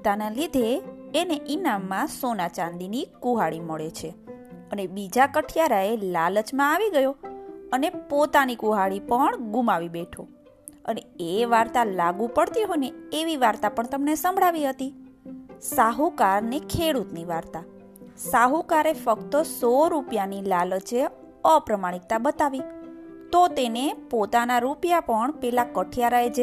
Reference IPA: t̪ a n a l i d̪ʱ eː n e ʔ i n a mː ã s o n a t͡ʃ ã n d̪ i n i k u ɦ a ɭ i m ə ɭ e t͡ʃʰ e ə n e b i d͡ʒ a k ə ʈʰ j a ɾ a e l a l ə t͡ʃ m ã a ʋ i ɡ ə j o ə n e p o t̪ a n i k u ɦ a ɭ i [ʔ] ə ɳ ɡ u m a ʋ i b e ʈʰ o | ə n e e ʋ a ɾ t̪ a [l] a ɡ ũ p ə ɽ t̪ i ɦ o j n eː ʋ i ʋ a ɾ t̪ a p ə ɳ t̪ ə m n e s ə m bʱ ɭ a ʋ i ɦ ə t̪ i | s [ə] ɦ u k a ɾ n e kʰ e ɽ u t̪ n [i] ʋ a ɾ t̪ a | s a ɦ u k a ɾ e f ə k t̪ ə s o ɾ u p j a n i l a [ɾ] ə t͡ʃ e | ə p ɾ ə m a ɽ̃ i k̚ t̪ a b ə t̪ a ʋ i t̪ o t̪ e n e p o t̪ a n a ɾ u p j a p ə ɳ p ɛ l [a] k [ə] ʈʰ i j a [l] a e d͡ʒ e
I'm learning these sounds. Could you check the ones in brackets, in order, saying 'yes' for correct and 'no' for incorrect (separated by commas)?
no, yes, no, yes, no, yes, yes, no